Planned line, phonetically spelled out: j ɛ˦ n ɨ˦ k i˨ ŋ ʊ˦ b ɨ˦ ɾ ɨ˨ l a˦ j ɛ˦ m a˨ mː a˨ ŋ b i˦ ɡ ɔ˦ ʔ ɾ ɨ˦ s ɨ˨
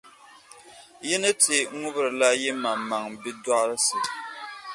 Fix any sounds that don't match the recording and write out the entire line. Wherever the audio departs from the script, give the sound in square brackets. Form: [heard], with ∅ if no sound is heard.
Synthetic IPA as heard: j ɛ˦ n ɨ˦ [t] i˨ ŋ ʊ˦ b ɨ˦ ɾ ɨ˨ l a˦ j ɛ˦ m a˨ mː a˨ ŋ b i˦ [d] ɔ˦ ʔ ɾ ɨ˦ s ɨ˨